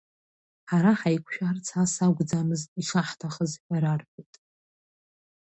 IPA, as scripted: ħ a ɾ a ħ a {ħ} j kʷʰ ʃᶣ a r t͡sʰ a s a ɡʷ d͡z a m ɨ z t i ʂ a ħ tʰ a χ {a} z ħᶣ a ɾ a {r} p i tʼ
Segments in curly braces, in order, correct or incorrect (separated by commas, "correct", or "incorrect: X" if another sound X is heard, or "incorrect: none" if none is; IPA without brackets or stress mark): incorrect: none, incorrect: ə, correct